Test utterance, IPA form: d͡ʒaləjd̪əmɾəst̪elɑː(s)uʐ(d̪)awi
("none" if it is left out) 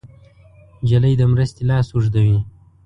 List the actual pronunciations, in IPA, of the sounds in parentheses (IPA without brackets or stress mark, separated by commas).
s, d̪